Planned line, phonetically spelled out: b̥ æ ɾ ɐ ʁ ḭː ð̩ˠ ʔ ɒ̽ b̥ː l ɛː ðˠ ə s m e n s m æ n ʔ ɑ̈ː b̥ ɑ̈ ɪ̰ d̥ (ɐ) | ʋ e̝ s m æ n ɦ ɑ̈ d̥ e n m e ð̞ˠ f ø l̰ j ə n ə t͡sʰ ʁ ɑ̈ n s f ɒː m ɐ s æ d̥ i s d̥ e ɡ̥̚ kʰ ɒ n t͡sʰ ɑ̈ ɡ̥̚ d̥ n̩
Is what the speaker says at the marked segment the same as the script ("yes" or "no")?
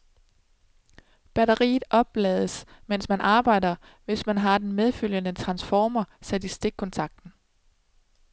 yes